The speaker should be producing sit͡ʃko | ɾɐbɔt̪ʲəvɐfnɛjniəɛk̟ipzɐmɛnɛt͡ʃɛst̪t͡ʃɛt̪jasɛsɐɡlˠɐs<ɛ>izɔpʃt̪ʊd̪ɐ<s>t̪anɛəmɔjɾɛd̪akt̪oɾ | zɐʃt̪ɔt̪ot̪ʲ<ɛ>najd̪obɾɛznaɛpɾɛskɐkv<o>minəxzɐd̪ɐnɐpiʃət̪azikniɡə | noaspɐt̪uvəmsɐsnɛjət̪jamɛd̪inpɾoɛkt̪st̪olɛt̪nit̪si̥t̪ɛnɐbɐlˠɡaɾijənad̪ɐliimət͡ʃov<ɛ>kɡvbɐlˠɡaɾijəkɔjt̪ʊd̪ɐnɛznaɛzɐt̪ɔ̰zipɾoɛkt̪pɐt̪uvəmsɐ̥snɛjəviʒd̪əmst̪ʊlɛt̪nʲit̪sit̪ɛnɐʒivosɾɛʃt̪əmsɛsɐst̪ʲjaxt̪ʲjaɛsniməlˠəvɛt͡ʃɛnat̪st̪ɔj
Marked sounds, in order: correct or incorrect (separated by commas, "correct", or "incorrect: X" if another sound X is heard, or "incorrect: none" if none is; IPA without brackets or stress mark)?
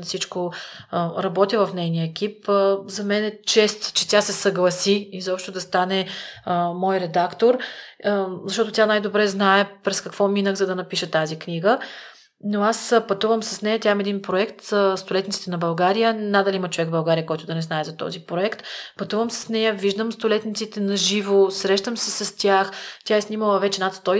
incorrect: i, correct, incorrect: a, incorrect: ɔ, correct